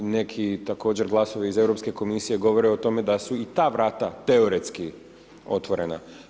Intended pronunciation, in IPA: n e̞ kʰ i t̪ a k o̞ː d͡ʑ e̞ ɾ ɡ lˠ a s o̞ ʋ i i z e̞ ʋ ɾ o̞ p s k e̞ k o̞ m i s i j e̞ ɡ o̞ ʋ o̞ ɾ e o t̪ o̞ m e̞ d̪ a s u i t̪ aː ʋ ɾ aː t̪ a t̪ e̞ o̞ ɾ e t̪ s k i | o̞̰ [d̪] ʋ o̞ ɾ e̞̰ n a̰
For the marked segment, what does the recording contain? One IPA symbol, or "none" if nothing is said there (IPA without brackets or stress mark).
t̪